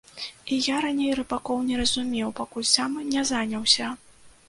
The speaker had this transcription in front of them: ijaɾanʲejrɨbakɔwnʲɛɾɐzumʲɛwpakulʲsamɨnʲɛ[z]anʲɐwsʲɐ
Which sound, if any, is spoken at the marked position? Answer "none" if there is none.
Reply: z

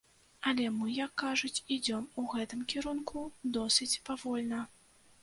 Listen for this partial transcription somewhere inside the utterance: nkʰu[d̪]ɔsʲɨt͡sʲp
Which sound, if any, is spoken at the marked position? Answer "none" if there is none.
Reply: d̪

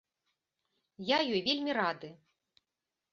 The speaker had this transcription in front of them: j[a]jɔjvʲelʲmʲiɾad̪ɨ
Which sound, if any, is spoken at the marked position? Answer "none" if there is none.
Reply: a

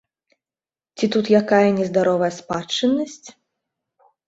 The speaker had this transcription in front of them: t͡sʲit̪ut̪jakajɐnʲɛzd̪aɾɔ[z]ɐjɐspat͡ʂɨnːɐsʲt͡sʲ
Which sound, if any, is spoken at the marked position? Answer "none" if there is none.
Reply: v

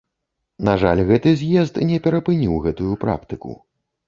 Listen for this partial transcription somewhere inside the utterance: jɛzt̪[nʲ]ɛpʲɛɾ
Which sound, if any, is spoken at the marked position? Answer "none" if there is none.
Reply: nʲ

